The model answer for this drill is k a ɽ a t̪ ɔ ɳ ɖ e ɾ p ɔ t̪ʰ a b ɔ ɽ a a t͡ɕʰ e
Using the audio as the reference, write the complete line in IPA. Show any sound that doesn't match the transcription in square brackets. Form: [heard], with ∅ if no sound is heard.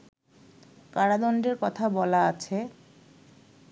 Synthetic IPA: k a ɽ a [d̪] ɔ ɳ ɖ e ɾ [k] ɔ t̪ʰ a b ɔ [l] a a t͡ɕʰ e